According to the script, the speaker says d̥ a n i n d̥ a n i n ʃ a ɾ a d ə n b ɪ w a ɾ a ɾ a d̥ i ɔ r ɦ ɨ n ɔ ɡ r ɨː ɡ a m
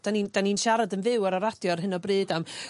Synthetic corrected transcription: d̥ a n i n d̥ a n i n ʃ a ɾ a d ə n v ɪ w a ɾ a ɾ a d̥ j ɔ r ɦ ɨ n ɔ b r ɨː d a m